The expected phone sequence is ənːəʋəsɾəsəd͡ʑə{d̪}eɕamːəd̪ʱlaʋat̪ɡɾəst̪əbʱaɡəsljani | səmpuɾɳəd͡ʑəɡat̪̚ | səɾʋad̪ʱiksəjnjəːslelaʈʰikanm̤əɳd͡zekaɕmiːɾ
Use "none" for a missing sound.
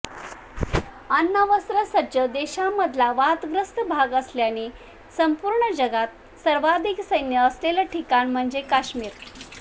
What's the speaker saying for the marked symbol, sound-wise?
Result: d̪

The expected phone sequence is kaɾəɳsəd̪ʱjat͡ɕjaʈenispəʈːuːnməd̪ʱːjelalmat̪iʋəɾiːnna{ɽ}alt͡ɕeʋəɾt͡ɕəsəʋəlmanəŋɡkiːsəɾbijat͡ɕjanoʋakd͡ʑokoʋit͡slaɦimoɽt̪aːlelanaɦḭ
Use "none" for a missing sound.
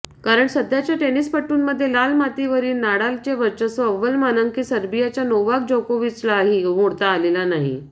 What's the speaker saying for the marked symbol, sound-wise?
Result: ɽ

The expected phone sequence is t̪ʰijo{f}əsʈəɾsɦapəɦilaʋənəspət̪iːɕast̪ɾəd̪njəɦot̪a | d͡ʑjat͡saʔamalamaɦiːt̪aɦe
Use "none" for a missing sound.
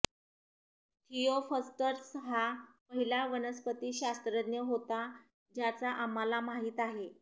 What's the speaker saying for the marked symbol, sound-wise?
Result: f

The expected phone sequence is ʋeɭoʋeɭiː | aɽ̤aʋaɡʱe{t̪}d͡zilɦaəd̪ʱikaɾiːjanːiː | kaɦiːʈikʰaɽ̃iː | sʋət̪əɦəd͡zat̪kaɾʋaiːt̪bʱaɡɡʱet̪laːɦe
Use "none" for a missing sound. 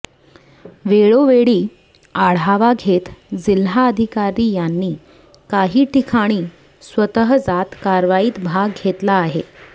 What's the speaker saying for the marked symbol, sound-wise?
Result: t̪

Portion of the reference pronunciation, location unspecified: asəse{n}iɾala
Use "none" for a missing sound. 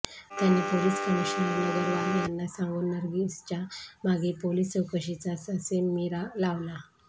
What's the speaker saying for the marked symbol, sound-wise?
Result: m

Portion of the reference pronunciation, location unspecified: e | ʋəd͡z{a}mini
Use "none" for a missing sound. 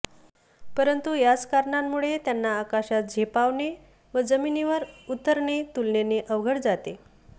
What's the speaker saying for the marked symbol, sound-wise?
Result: ə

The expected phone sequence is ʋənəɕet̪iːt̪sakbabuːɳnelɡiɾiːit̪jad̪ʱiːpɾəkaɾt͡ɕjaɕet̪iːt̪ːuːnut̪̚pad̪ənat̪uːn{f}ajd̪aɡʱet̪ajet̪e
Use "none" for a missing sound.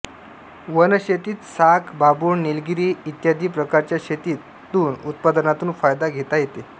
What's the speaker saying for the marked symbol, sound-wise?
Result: f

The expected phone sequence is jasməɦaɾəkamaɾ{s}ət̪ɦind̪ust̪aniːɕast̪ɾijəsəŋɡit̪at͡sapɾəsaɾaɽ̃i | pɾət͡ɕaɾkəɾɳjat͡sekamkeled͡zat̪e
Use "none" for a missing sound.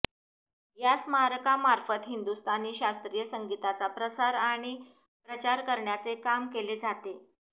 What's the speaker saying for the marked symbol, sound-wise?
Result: f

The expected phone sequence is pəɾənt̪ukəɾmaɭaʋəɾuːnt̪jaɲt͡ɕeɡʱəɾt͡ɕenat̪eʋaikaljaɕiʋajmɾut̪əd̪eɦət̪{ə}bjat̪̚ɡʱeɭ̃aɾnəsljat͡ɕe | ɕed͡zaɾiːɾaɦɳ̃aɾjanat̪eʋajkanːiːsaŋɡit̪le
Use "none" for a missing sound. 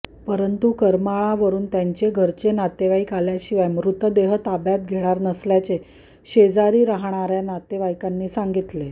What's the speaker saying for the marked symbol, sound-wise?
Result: a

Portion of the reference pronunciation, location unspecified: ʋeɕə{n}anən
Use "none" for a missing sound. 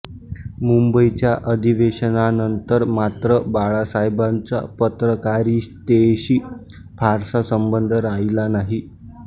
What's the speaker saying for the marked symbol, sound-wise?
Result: n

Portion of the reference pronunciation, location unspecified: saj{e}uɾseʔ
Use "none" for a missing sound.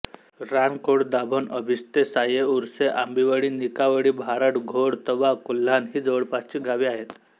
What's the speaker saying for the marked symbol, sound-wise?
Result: e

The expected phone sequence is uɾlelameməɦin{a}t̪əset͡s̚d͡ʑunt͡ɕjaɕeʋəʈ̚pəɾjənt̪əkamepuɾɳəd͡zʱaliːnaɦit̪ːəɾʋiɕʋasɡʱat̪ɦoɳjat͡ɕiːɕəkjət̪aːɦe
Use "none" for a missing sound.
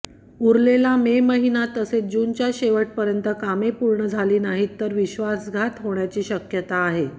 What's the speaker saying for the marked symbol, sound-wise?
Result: a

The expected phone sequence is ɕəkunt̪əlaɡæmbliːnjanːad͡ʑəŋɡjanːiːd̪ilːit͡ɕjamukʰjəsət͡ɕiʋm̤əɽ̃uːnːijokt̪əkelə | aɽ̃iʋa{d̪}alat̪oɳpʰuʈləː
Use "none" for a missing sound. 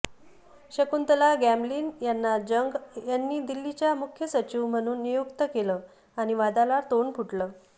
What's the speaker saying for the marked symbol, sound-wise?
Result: d̪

